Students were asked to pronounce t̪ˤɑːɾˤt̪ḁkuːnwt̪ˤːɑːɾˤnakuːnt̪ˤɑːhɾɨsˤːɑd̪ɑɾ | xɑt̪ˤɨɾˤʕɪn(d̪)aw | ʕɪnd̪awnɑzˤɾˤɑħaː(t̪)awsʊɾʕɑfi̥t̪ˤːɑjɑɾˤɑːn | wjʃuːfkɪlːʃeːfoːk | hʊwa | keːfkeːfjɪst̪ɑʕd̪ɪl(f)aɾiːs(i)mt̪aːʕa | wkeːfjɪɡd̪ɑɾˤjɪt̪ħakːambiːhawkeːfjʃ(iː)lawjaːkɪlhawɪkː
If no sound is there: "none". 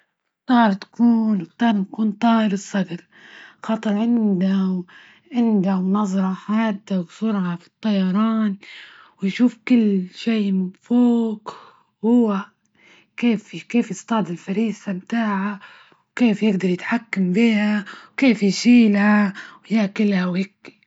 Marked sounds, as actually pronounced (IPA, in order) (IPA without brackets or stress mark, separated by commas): d̪, d̪, f, a, iː